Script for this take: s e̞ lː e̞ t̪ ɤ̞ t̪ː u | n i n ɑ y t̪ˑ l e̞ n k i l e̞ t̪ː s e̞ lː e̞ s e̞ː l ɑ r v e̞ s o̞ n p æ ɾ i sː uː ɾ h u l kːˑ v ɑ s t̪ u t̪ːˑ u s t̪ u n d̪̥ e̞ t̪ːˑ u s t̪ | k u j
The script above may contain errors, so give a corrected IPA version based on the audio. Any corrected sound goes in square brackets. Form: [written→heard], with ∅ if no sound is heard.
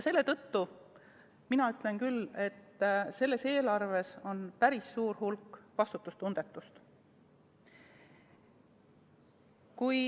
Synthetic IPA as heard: s e̞ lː e̞ t̪ ɤ̞ t̪ː u | [n→m] i n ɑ y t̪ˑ l e̞ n k [i→y] l e̞ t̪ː s e̞ lː e̞ s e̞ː l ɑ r v e̞ s o̞ n p æ ɾ i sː uː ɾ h u l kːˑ v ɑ s t̪ u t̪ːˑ u s t̪ u n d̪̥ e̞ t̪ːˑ u s t̪ | k u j